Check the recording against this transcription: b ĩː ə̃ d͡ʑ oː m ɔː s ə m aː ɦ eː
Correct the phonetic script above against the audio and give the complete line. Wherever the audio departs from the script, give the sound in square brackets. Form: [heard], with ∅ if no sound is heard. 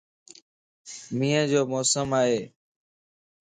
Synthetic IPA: [m] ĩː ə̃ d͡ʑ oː m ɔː s ə m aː ɦ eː

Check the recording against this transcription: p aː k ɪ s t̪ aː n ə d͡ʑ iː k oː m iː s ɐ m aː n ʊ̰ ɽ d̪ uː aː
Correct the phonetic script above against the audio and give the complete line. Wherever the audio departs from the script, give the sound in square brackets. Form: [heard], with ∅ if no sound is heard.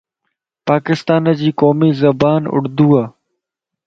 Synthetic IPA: p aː k ɪ s t̪ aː n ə d͡ʑ iː k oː m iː [z] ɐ [b] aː n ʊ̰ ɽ d̪ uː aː

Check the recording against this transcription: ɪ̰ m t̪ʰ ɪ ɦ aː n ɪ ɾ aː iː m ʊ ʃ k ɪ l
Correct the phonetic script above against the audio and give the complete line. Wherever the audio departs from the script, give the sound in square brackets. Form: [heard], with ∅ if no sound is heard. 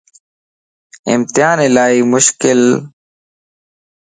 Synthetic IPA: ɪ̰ m [t̪] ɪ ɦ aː n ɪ [l] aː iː m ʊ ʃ k ɪ l

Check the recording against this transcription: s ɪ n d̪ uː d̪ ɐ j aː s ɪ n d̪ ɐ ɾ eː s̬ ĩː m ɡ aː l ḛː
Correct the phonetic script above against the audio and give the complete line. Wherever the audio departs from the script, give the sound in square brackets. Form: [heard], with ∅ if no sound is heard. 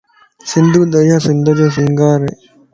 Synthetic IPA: s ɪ n d̪ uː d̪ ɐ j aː s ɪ n d̪ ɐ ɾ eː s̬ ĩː [ŋ] ɡ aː [ɾ] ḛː

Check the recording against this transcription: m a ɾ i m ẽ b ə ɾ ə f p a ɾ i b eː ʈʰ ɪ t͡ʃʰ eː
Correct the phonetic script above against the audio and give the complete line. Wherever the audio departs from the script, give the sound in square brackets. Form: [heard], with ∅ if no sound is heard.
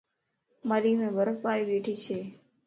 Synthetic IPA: m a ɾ i m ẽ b ə ɾ ə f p a ɾ i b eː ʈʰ [i] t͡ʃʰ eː

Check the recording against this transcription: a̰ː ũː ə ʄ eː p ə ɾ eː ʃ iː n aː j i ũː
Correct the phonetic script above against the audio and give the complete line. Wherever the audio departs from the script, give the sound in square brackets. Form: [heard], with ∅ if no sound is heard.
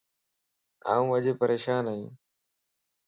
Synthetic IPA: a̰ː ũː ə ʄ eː p ə ɾ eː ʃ [aː] n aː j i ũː

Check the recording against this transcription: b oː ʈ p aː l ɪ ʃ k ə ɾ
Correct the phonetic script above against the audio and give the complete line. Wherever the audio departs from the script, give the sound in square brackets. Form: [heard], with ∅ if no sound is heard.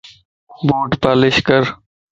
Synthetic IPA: b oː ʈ p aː l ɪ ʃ k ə ɾ

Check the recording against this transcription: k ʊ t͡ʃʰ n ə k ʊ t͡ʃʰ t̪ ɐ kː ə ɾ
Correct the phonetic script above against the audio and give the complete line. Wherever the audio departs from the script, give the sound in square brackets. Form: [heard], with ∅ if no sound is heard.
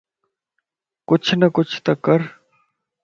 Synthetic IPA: k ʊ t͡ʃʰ n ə k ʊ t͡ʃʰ t̪ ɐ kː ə ɾ

